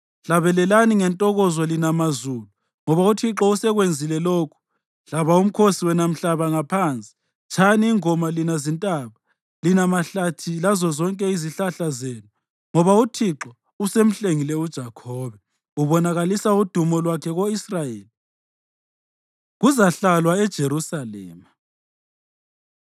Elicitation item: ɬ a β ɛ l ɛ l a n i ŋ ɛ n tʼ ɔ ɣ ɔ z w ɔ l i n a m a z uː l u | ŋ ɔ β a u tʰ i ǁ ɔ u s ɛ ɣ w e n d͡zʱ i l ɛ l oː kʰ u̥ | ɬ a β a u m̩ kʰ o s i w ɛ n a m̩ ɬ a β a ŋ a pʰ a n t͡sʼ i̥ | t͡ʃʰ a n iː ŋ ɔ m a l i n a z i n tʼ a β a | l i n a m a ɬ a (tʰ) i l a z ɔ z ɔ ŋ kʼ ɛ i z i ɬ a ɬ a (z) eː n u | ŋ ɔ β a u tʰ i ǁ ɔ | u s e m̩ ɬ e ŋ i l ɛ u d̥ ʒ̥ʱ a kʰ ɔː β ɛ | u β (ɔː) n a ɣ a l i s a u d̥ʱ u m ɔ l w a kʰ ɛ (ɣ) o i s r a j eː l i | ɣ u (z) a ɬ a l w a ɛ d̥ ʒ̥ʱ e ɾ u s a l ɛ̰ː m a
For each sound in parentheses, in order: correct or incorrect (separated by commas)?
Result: correct, correct, incorrect, correct, correct